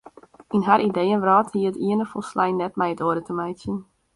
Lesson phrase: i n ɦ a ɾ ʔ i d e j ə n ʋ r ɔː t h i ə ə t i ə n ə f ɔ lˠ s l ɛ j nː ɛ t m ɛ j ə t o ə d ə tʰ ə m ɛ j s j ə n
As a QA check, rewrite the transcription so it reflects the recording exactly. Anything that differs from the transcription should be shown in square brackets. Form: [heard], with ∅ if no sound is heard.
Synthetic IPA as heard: i n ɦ a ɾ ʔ i d e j ə n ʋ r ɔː t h i ə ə t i ə n ə f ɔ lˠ s l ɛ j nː ɛ t m ɛ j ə t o ə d ə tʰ ə m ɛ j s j ə n